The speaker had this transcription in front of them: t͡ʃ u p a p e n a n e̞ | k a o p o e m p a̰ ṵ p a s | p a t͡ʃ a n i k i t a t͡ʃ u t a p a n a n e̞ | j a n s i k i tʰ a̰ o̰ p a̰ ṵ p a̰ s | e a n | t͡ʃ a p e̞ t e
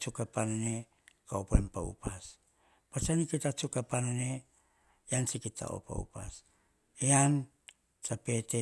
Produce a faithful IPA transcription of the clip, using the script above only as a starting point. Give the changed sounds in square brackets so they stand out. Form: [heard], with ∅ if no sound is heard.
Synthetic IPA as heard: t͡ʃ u [k] a p [a] n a n e̞ | k a o p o e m p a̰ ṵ p a s | p a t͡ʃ a n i k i t a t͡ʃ u [k] a p a n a n e̞ | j a n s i k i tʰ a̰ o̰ p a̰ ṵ p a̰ s | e a n | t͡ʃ a p e̞ t e